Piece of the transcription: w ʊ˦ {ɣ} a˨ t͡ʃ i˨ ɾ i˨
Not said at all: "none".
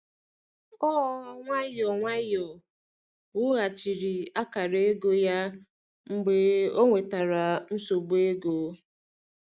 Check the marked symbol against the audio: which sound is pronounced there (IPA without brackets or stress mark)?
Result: ɣ